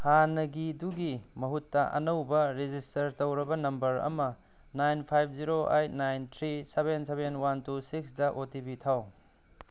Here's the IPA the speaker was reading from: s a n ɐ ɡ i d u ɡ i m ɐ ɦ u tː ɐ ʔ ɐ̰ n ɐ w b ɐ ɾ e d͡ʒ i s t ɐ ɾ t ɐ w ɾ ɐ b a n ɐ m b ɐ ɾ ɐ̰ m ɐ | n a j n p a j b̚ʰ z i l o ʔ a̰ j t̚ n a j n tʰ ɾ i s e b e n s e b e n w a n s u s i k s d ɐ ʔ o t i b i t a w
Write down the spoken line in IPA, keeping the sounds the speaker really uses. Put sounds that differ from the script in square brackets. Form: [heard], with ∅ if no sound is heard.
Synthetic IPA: [h] a n ɐ ɡ i d u ɡ i m ɐ ɦ u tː ɐ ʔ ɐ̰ n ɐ w b ɐ ɾ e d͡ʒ i s t ɐ ɾ t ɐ w ɾ ɐ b [ɐ] n ɐ m b ɐ ɾ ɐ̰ m ɐ | n a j n [pʰ] a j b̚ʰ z i [ɾ] o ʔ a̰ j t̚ n a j n tʰ ɾ i s e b e n s e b e n w a n [t] u s i k s d ɐ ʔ o t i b i [tʰ] a w